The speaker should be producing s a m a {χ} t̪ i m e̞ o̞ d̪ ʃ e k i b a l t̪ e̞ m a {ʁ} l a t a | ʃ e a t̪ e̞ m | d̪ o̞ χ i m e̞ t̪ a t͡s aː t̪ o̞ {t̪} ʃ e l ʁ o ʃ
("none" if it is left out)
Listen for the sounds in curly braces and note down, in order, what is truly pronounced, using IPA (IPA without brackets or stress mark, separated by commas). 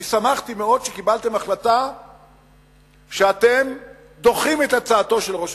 χ, χ, none